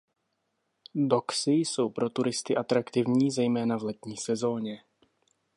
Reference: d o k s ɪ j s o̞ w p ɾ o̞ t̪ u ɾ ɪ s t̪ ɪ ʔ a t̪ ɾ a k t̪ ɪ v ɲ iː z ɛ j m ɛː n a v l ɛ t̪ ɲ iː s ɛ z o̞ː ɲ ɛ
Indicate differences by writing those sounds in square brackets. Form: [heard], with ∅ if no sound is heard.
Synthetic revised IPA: d o k s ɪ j s o̞ w p ɾ o̞ t̪ u ɾ ɪ s t̪ ɪ ʔ a t̪ ɾ a k t̪ ɪ v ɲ iː z ɛ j m ɛː n a v l ɛ t̪ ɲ iː s ɛ z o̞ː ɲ ɛ